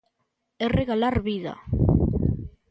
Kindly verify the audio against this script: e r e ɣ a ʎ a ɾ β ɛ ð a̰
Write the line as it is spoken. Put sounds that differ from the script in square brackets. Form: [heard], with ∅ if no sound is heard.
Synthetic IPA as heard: e r e ɣ a [l] a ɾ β [i] ð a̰